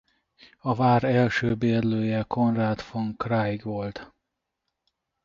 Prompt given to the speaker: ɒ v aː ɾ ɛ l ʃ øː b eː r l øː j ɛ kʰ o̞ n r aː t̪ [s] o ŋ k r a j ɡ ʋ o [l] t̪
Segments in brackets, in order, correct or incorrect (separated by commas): incorrect, correct